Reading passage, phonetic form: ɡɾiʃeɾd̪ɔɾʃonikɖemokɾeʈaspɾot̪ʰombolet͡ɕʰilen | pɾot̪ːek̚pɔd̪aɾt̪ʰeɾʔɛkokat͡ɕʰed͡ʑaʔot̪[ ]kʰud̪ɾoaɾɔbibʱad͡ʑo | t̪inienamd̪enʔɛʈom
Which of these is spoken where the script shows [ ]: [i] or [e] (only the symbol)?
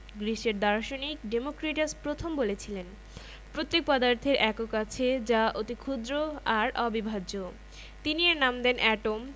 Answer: i